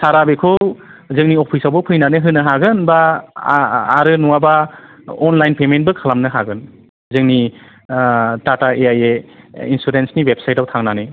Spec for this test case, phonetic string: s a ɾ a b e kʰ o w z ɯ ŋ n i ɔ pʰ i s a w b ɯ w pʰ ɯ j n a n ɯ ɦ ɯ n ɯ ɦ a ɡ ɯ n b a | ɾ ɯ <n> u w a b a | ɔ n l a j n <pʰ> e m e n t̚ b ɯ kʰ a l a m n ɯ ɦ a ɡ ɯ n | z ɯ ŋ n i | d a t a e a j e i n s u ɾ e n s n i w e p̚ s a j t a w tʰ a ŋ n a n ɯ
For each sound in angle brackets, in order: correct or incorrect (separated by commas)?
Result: correct, incorrect